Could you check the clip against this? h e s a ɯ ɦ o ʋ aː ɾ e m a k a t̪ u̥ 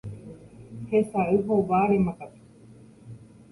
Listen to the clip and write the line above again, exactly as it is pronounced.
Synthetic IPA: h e s a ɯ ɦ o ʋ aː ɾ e m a k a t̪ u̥